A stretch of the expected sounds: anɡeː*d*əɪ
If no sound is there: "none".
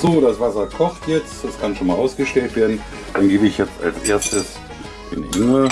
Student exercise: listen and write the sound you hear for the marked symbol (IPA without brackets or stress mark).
b